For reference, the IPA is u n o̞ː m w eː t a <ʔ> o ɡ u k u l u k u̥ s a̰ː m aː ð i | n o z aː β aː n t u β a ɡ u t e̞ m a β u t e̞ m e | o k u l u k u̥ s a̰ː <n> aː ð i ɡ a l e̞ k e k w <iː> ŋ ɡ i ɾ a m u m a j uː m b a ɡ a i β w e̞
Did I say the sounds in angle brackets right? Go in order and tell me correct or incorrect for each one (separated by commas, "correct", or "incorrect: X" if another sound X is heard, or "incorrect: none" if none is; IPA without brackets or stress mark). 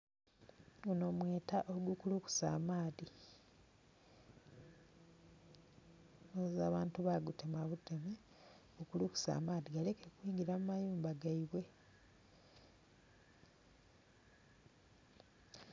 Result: correct, incorrect: m, correct